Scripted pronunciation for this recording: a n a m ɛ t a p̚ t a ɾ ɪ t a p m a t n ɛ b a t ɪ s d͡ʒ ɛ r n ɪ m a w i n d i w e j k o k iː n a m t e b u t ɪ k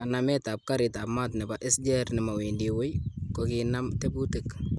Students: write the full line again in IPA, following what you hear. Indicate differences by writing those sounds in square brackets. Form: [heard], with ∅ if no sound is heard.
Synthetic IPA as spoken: a n a m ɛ t a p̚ [k] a ɾ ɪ t a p m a t n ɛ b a [ʔ] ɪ s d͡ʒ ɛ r n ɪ m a w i n d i w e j k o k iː n a m t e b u t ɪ k